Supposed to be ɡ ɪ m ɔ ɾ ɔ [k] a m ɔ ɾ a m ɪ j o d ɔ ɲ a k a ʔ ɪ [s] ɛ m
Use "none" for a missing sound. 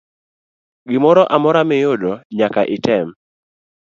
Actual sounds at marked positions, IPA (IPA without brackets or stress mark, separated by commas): ʔ, t